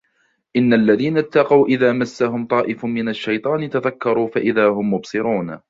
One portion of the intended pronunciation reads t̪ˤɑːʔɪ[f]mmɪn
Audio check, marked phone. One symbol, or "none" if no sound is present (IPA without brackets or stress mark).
f